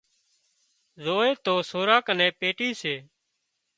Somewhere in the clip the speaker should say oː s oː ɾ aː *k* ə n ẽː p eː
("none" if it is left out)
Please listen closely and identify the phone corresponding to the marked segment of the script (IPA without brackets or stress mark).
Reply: k